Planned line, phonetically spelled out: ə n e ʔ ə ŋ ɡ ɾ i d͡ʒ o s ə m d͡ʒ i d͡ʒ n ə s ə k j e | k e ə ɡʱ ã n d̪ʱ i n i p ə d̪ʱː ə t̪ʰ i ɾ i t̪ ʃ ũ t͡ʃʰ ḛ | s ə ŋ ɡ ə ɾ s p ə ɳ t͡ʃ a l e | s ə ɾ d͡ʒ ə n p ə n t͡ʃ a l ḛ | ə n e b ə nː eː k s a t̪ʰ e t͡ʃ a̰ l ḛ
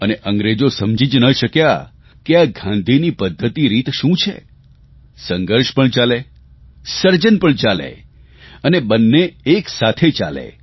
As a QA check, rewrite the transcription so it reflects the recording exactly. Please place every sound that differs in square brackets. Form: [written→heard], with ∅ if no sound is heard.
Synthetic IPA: ə n e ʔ ə ŋ ɡ ɾ [i→e] d͡ʒ o s ə m d͡ʒ i d͡ʒ n ə [s→ʃ] ə k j [e→a] | k e [ə→a] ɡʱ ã n d̪ʱ i n i p ə d̪ʱː ə [t̪ʰ→t̪] i ɾ i t̪ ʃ ũ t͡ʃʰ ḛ | s ə ŋ ɡ ə ɾ [s→ʃ] p ə ɳ t͡ʃ a l e | s ə ɾ d͡ʒ ə n p ə [n→ɳ] t͡ʃ a l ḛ | ə n e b ə nː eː k s a t̪ʰ e t͡ʃ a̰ l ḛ